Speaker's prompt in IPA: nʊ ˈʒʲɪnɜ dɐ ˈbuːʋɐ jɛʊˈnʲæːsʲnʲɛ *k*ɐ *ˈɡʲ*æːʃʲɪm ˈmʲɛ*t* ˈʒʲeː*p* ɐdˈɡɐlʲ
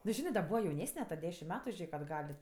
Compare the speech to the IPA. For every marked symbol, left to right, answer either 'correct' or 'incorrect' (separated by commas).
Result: incorrect, incorrect, correct, incorrect